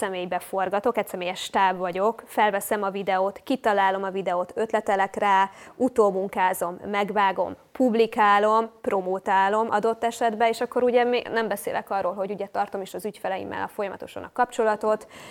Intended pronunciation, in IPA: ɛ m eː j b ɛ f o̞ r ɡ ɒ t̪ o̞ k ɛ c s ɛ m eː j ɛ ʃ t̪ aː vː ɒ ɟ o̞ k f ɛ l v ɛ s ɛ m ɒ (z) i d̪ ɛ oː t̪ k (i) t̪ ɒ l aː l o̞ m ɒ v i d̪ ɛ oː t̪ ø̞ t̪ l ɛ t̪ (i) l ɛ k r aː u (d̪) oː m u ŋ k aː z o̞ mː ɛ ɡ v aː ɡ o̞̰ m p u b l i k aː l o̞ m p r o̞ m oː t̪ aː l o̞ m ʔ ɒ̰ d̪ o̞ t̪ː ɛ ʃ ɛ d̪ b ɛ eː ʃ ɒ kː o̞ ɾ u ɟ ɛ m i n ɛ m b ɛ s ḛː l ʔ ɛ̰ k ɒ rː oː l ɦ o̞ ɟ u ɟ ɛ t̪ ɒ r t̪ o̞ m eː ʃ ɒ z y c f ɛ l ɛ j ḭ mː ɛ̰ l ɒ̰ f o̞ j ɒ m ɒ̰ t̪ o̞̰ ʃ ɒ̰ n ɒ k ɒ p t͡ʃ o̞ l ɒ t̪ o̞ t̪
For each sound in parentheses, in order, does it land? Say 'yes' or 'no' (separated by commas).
no, yes, no, no